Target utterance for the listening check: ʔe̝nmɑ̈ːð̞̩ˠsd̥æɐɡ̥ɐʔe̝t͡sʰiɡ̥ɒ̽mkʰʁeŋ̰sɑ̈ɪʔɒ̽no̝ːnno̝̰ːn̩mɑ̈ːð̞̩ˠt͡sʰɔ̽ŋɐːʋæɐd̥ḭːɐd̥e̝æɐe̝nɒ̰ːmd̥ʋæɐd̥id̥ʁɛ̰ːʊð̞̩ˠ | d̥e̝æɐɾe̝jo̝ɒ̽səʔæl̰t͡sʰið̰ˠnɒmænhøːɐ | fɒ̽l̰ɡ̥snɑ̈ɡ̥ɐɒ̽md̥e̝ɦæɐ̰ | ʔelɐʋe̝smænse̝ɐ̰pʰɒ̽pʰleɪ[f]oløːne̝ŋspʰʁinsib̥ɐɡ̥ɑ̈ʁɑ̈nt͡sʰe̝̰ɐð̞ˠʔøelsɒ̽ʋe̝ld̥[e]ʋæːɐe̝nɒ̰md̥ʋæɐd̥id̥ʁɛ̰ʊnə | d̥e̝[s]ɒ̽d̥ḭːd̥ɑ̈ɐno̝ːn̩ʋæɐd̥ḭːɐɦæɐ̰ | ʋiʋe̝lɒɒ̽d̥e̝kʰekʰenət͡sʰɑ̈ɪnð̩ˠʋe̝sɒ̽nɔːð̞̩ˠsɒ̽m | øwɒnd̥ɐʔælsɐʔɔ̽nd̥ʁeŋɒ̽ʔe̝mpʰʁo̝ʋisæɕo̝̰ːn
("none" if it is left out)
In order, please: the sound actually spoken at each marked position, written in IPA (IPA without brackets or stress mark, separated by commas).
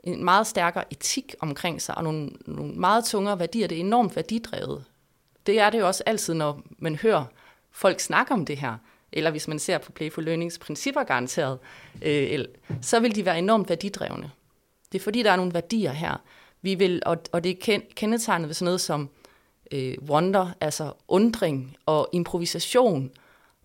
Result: f, i, f